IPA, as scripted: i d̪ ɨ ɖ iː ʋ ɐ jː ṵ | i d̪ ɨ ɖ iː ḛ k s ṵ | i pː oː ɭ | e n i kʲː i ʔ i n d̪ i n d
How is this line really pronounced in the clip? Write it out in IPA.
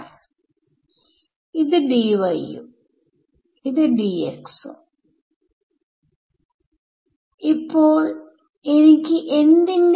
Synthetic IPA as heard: i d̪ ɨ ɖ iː ʋ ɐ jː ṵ | i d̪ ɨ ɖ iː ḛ k s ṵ | i pː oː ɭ | e n i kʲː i ʔ e n d̪ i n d